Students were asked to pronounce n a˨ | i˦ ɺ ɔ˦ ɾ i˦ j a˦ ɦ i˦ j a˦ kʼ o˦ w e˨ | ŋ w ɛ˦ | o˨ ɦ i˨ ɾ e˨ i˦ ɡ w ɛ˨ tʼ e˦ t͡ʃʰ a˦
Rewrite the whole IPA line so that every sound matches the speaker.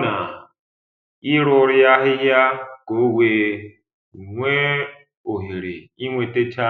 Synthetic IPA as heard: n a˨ | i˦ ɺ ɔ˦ ɾ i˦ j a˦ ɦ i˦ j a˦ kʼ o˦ w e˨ | ŋ w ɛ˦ | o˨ ɦ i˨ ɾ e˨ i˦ ŋ w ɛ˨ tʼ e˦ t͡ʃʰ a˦